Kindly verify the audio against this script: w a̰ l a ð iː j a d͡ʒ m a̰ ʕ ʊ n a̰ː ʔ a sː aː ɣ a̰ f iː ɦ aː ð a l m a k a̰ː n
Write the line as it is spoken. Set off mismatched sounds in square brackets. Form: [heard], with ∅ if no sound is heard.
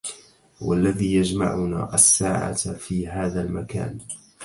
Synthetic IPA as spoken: w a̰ [lː] a ð iː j a d͡ʒ m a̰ ʕ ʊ n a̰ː ʔ a sː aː [ʕ] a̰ f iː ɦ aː ð a l m a k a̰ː n